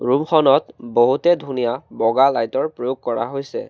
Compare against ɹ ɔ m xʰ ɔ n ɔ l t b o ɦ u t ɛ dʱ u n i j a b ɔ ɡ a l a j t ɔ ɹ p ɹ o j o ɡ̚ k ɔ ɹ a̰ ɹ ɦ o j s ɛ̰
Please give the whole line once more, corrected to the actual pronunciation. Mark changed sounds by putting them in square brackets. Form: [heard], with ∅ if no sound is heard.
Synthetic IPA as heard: ɹ [u] m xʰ ɔ n ɔ [∅] t b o ɦ u t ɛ dʱ u n i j a b ɔ ɡ a l a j t ɔ ɹ p ɹ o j o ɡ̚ k ɔ ɹ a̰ [∅] ɦ o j s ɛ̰